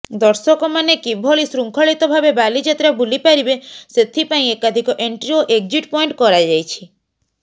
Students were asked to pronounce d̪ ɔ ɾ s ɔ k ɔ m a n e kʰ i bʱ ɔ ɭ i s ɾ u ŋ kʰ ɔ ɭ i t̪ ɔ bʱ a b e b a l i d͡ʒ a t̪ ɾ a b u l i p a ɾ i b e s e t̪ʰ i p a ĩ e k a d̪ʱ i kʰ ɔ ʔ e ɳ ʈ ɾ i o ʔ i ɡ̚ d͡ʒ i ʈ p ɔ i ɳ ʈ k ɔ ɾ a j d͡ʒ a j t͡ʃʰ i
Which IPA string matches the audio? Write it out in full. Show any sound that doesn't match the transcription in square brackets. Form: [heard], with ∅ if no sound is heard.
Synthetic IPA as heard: d̪ ɔ ɾ s ɔ k ɔ m a n e [k] i bʱ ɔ ɭ i s ɾ u ŋ kʰ ɔ ɭ i t̪ ɔ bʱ a b e b a l i d͡ʒ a t̪ ɾ a b u l i p a ɾ i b e s e t̪ʰ i p a ĩ e k a d̪ʱ i [k] ɔ ʔ e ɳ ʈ ɾ i o ʔ [e] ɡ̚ d͡ʒ i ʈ p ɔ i ɳ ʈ k ɔ ɾ a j d͡ʒ a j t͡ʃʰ i